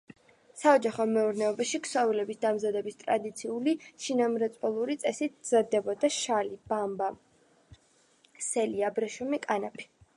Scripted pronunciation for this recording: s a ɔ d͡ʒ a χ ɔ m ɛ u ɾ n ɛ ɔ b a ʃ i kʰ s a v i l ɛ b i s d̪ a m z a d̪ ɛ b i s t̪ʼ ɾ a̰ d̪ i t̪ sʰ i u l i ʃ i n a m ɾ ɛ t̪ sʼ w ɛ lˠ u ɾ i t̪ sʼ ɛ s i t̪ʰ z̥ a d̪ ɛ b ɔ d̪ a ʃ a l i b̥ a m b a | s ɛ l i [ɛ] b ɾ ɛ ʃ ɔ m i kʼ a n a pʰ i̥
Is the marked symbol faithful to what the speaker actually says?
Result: no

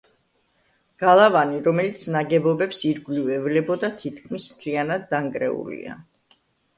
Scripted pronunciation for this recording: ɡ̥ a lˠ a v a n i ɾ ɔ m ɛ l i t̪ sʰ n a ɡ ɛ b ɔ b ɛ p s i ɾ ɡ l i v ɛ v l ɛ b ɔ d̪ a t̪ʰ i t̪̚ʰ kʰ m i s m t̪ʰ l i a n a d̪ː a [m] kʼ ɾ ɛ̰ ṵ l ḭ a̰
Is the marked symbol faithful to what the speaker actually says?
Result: no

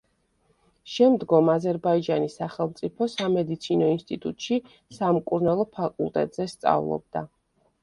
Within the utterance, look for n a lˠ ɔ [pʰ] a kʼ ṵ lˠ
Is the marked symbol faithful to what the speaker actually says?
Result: yes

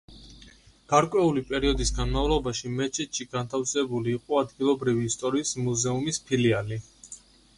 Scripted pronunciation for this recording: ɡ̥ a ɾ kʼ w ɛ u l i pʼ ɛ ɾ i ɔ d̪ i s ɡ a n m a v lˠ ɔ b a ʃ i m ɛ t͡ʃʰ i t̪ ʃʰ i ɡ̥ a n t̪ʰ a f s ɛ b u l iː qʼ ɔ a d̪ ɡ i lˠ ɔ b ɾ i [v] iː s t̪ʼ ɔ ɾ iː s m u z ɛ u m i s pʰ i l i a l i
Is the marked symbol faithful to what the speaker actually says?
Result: yes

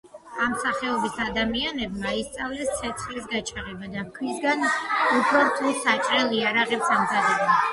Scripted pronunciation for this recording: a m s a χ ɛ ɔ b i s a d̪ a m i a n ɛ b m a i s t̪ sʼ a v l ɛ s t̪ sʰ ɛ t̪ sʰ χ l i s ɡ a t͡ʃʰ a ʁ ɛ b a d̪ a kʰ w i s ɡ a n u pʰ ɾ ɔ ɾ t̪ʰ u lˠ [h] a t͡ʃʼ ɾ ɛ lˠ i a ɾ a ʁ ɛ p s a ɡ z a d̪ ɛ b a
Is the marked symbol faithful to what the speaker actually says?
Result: no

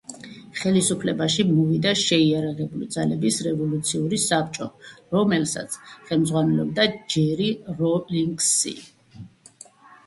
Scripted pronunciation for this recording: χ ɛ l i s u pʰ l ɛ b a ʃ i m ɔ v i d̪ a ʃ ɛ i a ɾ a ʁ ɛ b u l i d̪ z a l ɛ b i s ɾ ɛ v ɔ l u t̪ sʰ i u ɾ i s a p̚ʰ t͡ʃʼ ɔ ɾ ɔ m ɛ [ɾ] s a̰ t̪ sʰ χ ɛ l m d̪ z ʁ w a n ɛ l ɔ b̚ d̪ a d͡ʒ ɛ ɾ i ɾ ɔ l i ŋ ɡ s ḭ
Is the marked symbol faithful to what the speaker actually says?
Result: no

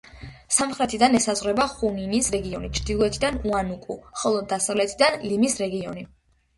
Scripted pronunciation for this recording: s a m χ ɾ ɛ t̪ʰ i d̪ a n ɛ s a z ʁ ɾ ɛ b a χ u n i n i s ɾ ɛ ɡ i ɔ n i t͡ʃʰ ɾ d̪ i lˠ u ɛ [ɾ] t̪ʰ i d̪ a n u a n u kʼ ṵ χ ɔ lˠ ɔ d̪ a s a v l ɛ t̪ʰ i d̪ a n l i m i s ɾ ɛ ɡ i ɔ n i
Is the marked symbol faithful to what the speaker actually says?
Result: no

